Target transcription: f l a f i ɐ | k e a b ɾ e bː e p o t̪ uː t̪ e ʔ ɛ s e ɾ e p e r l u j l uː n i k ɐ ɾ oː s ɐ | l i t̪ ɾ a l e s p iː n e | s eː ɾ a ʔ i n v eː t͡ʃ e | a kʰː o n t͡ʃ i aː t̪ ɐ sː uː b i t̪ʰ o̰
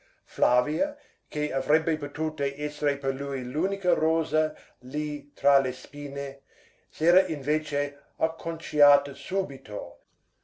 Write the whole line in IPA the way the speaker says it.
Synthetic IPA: f l a v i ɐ | k e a v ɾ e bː e p o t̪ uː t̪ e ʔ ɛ s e ɾ e p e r l u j l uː n i k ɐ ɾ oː z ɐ | l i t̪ ɾ a l e s p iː n e | s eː ɾ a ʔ i n v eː t͡ʃ e | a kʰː o n t͡ʃ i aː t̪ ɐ s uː b i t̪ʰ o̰